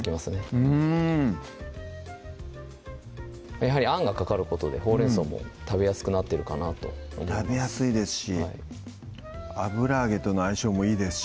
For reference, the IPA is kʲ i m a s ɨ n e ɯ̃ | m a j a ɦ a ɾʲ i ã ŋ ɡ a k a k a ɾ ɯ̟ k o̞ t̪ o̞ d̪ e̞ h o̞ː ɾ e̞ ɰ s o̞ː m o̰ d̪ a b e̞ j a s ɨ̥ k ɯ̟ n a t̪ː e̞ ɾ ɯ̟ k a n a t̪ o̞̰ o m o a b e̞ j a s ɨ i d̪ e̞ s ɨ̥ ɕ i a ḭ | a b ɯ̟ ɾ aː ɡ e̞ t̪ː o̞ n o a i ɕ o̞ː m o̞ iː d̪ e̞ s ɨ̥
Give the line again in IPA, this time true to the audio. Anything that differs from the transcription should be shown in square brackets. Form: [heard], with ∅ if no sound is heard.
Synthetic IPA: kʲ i m a s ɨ n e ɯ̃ | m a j a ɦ a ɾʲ i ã ŋ ɡ a k a k a ɾ ɯ̟ k o̞ t̪ o̞ d̪ e̞ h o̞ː ɾ e̞ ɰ s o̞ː m o̰ [t̪] a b e̞ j a s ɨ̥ k ɯ̟ n a t̪ː e̞ ɾ ɯ̟ k a n a t̪ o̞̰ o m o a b e̞ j a s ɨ i d̪ e̞ s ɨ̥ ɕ i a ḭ | a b ɯ̟ ɾ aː ɡ e̞ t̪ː o̞ n o a i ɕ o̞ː m o̞ iː d̪ e̞ s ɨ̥

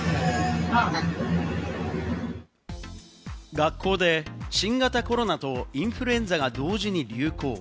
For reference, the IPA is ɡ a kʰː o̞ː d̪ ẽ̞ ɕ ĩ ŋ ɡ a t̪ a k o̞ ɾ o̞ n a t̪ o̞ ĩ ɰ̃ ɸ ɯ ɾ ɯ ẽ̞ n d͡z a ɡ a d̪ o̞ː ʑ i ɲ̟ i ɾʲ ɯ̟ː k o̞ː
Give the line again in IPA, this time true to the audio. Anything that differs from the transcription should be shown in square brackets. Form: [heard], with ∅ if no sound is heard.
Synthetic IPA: ɡ a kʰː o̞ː d̪ [e̞] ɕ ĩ ŋ ɡ a t̪ a k o̞ ɾ o̞ n a t̪ o̞ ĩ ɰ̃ ɸ ɯ ɾ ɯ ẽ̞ n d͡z a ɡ a d̪ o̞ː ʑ i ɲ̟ i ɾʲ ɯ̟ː k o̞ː

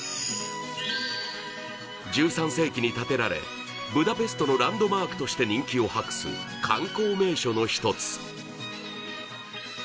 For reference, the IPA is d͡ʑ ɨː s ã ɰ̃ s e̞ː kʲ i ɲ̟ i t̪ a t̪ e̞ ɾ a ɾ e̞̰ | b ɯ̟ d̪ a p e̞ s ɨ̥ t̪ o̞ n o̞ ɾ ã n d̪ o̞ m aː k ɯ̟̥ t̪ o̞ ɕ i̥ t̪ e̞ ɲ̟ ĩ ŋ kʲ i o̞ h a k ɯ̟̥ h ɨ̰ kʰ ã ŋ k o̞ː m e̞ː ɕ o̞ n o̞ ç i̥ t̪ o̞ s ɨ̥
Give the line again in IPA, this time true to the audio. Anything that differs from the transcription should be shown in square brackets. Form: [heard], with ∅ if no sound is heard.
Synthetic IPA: d͡ʑ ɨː s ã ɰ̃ s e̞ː kʲ i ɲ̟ i t̪ a t̪ e̞ ɾ a ɾ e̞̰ | b ɯ̟ d̪ a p e̞ s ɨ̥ t̪ o̞ n o̞ ɾ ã n d̪ o̞ m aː k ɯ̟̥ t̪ o̞ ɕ i̥ t̪ e̞ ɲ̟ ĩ ŋ kʲ i o̞ h a k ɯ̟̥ [s] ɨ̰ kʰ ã ŋ k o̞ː m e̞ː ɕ o̞ n o̞ ç i̥ t̪ o̞ [t͡s] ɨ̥

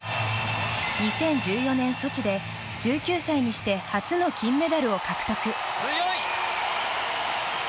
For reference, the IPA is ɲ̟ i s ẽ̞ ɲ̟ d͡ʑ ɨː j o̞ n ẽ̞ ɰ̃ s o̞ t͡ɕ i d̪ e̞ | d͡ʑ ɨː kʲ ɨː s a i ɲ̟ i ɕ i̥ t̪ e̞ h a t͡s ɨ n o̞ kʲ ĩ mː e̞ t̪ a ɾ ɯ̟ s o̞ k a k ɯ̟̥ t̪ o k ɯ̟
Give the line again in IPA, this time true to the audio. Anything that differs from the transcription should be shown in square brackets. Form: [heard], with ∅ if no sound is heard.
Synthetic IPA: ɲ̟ i s ẽ̞ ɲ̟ d͡ʑ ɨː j o̞ n ẽ̞ ɰ̃ s o̞ t͡ɕ i d̪ e̞ | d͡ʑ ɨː kʲ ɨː s a i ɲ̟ i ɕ i̥ t̪ e̞ h a t͡s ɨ n o̞ kʲ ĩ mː e̞ [d̪] a ɾ ɯ̟ [∅] o̞ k a k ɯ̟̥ t̪ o k ɯ̟

